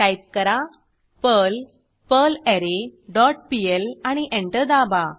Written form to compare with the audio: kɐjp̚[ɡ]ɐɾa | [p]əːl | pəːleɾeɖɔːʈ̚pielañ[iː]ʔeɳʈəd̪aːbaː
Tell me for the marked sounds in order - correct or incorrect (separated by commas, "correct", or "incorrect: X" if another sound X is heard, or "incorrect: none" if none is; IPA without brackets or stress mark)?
incorrect: k, correct, incorrect: i